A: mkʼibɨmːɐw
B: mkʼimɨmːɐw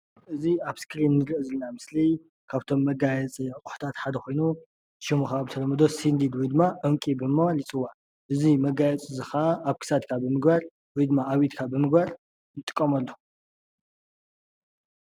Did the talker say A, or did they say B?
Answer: A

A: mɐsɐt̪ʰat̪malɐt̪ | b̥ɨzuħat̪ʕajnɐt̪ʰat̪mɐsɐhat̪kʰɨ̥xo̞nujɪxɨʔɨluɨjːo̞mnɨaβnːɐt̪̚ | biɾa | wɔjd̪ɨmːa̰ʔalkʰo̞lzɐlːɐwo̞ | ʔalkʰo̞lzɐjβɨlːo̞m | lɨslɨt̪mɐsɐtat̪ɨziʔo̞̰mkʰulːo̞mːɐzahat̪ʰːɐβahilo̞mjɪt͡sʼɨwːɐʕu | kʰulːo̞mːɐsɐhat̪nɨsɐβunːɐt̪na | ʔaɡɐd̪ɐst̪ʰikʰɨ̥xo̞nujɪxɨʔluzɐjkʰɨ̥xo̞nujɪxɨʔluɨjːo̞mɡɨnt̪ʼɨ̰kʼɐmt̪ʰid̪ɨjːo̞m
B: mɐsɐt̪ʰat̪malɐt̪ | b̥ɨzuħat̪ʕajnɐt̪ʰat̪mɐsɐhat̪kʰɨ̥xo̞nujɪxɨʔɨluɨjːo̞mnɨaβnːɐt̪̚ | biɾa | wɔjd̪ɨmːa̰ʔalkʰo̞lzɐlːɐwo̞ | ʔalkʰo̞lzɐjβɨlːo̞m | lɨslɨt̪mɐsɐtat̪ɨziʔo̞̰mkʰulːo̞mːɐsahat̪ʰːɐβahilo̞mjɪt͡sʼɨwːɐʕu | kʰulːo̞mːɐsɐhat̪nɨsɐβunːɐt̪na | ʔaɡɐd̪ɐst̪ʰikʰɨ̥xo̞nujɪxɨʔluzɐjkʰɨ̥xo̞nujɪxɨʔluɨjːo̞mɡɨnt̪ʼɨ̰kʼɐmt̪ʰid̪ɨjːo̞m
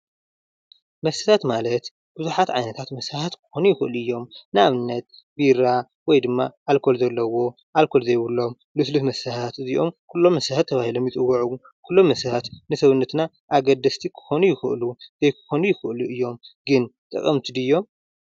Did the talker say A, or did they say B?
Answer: B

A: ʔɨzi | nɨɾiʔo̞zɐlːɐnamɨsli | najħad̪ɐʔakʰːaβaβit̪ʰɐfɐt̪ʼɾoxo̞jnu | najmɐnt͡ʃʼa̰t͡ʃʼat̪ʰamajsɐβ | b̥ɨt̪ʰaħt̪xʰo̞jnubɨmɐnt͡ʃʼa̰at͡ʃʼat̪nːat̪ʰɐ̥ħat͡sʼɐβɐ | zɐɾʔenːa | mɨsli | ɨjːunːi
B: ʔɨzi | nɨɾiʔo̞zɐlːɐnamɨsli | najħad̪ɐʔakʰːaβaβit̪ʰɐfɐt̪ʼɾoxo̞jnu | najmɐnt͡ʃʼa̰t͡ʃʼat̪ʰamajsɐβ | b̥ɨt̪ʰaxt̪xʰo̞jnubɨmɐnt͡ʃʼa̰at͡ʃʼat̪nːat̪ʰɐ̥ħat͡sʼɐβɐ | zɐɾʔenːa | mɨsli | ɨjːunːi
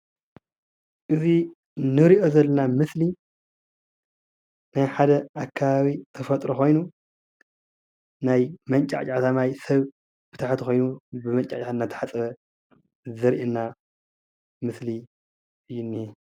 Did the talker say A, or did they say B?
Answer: A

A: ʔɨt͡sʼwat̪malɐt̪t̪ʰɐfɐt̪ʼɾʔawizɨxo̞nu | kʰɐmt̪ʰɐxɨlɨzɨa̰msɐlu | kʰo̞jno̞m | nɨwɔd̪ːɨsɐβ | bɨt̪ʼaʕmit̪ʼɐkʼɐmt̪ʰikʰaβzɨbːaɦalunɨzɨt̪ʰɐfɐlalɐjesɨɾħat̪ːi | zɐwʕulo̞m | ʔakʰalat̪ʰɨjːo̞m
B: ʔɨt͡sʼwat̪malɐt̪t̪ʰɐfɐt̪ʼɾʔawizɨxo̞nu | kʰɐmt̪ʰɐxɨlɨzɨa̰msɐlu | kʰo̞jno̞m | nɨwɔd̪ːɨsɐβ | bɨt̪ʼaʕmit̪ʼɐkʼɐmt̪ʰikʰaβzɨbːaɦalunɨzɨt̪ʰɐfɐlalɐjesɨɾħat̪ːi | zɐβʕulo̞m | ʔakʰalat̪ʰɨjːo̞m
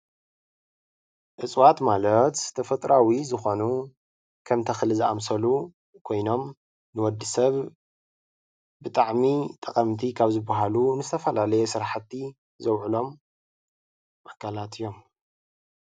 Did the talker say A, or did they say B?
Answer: A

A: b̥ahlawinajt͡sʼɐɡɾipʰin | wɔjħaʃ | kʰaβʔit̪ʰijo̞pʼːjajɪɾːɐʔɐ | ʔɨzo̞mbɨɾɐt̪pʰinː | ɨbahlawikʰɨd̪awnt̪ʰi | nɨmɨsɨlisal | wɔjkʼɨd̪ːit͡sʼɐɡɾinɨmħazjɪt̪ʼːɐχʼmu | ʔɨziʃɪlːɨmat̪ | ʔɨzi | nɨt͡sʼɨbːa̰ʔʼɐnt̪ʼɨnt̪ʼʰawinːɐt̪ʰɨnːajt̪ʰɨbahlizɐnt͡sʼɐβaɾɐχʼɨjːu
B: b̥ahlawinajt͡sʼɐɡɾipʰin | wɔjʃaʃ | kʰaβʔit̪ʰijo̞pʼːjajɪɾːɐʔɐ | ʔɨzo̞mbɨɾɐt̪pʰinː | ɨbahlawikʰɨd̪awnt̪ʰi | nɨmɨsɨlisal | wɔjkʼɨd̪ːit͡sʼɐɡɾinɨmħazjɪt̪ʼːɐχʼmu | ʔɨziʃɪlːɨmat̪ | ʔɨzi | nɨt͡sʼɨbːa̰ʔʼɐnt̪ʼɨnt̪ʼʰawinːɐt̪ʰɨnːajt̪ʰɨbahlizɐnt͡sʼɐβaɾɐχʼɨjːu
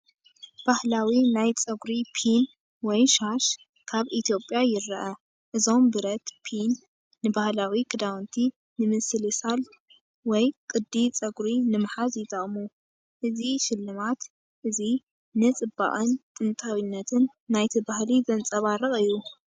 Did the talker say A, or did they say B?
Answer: B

